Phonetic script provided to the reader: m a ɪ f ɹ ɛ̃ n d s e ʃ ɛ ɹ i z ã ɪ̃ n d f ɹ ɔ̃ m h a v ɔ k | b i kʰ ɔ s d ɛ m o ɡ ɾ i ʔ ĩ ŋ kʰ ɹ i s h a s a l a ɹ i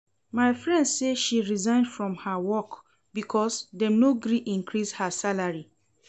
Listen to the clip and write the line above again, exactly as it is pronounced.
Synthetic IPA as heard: m a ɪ f ɹ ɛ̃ n d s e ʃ i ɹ i z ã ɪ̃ n d f ɹ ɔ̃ m h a w ɔ k | b i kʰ ɔ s d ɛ n o ɡ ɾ i ʔ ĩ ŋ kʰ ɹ i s h a s a l a ɹ i